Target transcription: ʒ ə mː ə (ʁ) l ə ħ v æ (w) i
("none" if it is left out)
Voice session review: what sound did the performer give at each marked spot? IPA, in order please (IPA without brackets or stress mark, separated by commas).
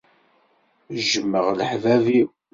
ʁ, v